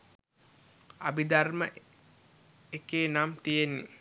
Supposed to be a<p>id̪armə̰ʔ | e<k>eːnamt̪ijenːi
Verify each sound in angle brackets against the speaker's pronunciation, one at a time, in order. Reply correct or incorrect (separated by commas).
incorrect, correct